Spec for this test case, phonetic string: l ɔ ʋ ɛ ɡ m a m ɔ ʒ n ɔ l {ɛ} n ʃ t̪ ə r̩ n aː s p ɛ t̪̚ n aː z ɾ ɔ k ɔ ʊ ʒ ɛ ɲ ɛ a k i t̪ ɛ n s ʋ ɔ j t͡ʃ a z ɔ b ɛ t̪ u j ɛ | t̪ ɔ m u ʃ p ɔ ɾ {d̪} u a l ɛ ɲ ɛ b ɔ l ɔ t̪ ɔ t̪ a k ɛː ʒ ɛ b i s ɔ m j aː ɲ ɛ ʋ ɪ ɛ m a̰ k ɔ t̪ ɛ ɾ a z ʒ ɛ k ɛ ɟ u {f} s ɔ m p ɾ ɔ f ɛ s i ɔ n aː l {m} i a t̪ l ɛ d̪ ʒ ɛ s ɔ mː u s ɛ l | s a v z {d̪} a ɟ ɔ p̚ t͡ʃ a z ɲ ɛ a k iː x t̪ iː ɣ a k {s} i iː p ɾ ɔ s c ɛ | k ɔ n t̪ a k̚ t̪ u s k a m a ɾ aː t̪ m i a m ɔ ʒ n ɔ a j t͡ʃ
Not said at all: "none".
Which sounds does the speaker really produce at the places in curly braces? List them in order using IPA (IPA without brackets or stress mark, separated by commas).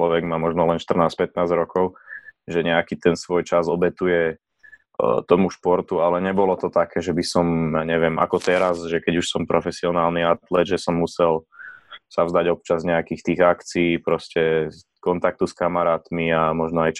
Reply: ɛ, t̪, ʃ, n, d̪, t͡s